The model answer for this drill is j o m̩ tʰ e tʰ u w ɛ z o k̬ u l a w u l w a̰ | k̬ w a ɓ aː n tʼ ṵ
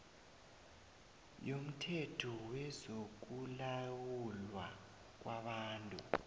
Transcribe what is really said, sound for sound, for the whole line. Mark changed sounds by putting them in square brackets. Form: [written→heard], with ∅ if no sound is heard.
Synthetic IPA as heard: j o m̩ tʰ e tʰ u w ɛ z o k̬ u l a w u l w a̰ | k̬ w a ɓ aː n tʼ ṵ